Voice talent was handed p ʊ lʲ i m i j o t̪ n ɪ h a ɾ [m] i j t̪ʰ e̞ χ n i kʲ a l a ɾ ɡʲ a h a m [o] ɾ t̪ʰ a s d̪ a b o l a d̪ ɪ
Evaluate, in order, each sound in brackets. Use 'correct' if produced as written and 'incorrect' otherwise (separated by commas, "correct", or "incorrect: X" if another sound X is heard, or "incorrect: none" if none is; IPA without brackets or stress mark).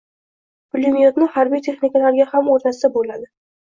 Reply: incorrect: b, correct